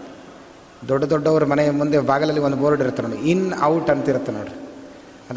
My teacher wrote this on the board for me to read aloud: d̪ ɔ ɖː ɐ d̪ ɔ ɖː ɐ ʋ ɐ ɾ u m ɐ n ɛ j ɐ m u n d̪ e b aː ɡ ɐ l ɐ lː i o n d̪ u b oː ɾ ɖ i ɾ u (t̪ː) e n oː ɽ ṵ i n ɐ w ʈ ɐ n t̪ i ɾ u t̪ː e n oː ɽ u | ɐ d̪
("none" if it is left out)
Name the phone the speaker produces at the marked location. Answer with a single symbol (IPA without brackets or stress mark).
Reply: t̪ː